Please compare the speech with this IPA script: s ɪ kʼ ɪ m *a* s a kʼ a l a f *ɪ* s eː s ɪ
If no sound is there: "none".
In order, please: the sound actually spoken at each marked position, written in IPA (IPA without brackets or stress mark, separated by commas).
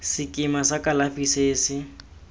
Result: a, i